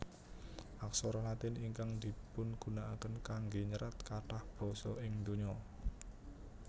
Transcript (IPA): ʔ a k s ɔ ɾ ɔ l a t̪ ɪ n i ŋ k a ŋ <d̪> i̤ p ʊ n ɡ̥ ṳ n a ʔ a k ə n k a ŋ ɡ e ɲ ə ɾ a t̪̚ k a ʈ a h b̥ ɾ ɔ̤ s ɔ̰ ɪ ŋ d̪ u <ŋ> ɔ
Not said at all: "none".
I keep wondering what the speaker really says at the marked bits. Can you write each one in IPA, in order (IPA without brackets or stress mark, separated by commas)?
d̪, ɲ